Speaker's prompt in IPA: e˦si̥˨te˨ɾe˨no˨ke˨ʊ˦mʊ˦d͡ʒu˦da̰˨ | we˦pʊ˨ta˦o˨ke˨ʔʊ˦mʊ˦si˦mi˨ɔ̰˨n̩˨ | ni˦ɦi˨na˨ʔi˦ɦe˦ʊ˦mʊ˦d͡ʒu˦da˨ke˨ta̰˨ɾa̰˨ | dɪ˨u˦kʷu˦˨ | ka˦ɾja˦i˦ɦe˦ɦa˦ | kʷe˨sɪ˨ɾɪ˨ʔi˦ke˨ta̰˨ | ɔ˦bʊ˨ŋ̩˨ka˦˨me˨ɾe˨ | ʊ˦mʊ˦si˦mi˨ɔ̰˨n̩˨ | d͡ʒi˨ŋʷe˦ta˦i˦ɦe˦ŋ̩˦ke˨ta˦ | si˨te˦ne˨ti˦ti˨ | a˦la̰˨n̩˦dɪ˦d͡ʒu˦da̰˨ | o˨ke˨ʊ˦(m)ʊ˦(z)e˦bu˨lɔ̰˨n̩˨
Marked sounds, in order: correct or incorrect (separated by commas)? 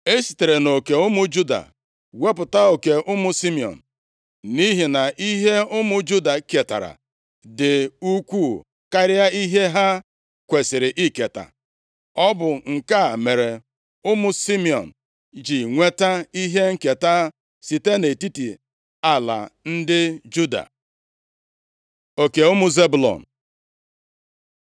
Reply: correct, correct